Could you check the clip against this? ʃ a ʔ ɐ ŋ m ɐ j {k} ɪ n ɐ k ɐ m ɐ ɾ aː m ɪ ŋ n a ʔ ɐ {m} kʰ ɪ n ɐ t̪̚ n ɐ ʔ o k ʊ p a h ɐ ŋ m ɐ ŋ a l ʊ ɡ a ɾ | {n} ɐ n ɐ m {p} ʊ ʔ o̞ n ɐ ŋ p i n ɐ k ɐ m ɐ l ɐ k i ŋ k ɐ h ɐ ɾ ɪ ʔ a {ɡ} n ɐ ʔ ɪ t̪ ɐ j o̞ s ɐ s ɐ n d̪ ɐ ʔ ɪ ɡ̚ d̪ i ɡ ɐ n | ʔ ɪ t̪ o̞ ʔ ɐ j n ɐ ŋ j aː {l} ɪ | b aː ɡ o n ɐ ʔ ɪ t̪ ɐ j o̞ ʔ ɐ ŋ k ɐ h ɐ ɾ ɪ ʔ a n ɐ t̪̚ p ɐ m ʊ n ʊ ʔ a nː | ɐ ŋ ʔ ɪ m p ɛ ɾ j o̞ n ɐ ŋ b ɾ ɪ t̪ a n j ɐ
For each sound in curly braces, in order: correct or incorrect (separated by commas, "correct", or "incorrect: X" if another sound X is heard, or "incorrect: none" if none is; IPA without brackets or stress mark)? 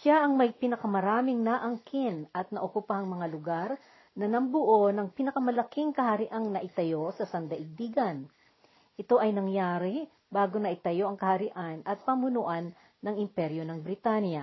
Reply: incorrect: p, incorrect: ŋ, correct, incorrect: b, incorrect: ŋ, incorrect: ɾ